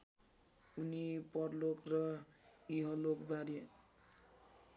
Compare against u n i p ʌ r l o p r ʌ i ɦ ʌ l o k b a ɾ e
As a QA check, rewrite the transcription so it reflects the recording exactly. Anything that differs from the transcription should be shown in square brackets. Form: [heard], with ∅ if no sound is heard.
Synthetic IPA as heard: u n i p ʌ r l o [k] r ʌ i ɦ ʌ l o k b a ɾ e

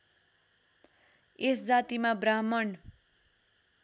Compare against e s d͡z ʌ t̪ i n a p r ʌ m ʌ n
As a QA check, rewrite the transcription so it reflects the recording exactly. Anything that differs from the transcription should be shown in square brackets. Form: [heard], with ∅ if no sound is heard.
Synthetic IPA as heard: e s d͡z [a] t̪ i [m] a [b] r [a] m ʌ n

